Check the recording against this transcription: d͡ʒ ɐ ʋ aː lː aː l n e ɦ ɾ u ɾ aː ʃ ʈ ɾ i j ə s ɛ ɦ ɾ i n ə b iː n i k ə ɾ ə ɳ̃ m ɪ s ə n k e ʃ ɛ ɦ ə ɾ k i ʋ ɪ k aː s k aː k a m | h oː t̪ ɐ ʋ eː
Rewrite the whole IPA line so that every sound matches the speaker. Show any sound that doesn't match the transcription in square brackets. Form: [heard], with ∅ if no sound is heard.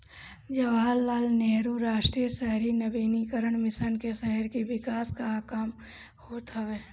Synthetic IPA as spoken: d͡ʒ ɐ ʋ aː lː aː l n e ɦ ɾ u ɾ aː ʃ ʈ ɾ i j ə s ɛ ɦ ɾ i n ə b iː n i k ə ɾ ə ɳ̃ m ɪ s ə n k e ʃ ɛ ɦ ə ɾ k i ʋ ɪ k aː s k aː k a m | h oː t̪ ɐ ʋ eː